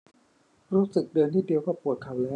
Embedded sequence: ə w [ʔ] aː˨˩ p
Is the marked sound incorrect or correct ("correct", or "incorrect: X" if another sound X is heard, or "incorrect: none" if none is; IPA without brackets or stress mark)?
incorrect: k